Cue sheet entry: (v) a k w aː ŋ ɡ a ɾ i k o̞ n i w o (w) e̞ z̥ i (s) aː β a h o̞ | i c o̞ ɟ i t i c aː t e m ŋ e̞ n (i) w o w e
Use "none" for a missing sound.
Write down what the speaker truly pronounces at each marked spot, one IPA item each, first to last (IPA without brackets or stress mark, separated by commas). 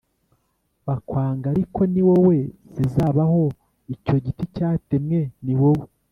β, w, z, i